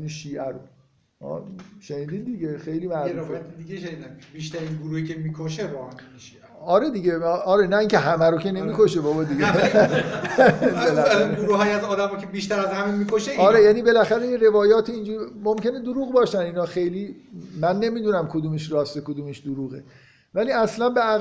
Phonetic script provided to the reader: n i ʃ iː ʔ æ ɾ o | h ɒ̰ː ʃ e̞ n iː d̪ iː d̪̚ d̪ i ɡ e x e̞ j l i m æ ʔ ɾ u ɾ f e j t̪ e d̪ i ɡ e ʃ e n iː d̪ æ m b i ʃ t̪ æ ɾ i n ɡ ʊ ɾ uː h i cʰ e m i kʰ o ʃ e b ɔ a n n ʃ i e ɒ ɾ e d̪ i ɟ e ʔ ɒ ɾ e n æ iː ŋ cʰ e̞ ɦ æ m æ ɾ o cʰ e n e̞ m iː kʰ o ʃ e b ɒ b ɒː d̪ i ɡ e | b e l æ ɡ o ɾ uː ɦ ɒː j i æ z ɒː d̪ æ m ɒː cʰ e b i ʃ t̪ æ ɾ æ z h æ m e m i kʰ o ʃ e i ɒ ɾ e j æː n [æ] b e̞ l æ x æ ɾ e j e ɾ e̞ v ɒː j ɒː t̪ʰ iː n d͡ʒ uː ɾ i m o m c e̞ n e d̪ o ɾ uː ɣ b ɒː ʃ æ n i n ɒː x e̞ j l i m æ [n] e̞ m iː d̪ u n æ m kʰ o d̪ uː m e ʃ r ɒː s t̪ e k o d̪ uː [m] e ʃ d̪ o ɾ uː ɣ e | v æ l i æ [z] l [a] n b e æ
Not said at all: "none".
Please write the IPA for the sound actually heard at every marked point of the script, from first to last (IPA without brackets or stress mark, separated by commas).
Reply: i, nː, m, s, æ